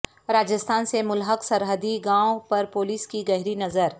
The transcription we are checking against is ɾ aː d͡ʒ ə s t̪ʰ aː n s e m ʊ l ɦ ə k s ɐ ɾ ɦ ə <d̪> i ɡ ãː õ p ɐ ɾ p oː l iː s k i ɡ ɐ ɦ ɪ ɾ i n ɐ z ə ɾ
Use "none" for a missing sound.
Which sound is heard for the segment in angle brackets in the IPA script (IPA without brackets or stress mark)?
d̪